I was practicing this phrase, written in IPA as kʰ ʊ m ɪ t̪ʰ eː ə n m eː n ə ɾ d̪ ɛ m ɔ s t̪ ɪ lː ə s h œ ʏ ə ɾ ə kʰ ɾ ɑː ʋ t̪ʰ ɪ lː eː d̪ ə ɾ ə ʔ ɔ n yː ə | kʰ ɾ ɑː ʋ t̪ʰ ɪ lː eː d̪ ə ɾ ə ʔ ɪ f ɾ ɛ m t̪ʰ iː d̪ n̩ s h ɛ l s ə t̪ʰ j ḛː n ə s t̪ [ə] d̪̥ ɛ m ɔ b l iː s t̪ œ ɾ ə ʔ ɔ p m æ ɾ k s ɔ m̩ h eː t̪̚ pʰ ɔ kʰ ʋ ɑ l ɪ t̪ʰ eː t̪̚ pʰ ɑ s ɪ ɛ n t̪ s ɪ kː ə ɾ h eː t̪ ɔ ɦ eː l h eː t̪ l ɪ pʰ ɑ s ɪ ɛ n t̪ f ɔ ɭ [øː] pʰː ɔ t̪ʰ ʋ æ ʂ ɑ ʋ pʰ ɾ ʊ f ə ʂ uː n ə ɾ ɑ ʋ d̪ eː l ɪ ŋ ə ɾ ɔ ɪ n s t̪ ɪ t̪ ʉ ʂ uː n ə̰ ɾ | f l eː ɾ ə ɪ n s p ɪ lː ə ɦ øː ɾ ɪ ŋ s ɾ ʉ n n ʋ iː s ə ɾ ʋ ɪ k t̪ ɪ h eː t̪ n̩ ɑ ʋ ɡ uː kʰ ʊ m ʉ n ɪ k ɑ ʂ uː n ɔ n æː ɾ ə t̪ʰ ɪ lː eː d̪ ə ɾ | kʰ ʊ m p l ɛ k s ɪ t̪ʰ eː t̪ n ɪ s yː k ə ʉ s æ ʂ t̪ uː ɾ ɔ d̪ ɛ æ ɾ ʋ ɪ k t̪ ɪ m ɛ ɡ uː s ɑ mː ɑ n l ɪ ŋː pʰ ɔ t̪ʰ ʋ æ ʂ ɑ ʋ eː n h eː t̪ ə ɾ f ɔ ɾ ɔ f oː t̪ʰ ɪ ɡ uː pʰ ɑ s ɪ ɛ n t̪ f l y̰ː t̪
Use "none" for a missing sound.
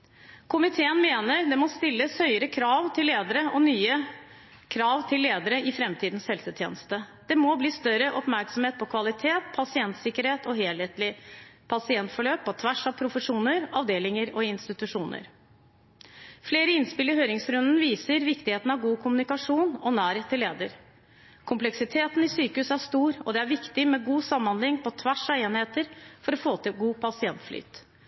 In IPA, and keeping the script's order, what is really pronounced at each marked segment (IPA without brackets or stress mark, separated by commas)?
ə, øː